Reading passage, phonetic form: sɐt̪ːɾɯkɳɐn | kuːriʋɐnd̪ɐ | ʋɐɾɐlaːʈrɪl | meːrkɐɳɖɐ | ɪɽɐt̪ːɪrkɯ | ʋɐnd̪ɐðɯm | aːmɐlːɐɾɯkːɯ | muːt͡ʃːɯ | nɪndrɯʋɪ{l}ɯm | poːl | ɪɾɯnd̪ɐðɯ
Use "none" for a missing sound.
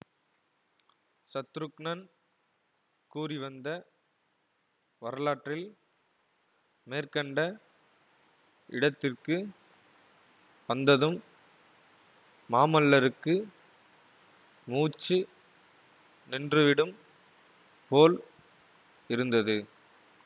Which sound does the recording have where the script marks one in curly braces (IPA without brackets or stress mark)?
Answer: ɽ